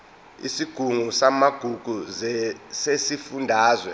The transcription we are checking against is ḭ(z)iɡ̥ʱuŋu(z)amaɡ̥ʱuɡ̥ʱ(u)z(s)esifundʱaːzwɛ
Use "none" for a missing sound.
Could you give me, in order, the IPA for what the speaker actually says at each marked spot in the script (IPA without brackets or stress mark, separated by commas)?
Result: s, s, u, s